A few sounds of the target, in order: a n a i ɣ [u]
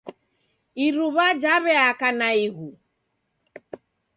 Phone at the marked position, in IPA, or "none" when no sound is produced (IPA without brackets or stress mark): u